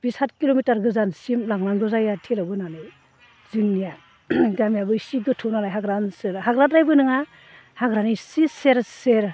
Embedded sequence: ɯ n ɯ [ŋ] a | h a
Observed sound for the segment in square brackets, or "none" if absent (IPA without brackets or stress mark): ŋ